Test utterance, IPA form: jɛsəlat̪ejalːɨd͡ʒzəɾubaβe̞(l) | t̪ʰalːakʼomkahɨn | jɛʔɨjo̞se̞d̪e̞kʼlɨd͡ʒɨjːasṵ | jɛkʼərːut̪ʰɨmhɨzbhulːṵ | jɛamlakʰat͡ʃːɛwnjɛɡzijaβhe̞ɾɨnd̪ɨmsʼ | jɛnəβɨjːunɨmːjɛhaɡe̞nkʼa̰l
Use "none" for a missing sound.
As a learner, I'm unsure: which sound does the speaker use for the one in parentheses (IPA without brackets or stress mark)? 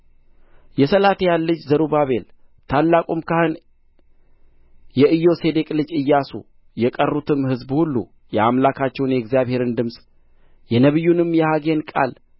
l